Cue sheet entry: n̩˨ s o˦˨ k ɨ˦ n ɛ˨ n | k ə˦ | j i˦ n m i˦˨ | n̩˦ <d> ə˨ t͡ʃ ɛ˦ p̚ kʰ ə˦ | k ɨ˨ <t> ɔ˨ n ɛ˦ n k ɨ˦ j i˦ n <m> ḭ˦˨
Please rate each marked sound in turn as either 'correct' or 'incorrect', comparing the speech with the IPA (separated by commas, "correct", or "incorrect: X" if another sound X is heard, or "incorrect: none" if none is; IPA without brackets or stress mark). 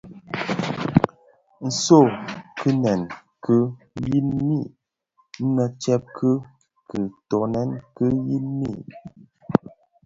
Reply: incorrect: n, correct, correct